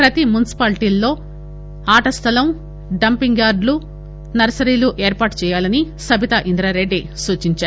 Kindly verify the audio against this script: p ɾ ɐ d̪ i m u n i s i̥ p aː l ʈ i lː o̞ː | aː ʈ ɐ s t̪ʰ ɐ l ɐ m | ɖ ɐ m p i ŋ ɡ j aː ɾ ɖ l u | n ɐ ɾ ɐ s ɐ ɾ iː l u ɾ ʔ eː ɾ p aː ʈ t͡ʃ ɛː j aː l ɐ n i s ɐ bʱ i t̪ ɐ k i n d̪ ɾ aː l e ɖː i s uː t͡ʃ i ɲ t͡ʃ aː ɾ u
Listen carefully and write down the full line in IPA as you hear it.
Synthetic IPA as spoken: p ɾ ɐ t̪ i m u n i s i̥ p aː l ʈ i lː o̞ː | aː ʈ ɐ s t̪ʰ ɐ l ɐ m | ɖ ɐ m p i ŋ ɡ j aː ɾ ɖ l u | n ɐ ɾ ɐ s ɐ ɾ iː l u ʔ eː ɾ p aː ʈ t͡ʃ ɛː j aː l ɐ n i s ɐ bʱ i t̪ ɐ ʔ i n d̪ ɾ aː ɾ e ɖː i s uː t͡ʃ i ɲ t͡ʃ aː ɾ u